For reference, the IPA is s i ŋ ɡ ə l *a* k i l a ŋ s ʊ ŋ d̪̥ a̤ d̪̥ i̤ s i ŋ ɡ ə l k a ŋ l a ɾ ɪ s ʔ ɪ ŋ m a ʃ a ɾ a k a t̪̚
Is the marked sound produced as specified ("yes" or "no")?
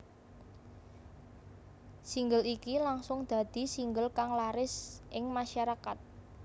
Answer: no